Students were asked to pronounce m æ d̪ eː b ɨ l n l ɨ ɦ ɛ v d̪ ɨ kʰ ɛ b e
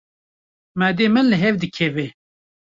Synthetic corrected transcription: m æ d̪ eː m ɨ n l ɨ ɦ ɛ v d̪ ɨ kʰ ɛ v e